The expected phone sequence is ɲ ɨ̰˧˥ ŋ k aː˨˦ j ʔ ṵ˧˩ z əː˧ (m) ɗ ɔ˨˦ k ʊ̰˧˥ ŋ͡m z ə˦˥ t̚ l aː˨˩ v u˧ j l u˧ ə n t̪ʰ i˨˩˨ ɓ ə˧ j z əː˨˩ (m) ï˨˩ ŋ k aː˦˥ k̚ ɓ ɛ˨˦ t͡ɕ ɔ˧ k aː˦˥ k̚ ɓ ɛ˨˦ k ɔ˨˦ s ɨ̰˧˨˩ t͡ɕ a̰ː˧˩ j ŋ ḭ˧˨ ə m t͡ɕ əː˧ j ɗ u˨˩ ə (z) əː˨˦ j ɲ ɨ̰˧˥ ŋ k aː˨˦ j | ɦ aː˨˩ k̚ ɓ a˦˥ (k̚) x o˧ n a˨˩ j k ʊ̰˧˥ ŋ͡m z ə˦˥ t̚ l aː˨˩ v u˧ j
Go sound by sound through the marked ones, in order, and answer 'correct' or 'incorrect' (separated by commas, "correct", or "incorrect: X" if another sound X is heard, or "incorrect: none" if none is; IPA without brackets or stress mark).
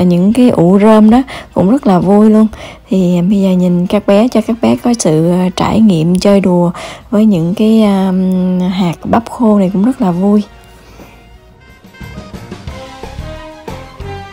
correct, incorrect: ɲ, incorrect: v, incorrect: p̚